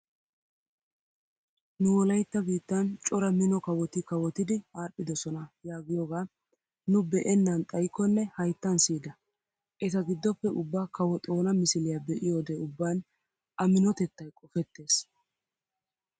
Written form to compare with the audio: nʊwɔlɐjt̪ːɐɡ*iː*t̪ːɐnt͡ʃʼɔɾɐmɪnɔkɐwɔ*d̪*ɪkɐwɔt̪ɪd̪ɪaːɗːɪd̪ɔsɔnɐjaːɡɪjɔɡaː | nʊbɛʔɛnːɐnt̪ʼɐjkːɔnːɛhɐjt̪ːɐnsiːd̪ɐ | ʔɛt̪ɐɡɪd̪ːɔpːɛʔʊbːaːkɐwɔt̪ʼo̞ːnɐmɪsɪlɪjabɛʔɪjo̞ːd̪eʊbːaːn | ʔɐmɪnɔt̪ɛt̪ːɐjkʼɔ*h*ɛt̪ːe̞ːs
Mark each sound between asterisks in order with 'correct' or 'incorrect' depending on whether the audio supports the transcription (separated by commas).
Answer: correct, incorrect, incorrect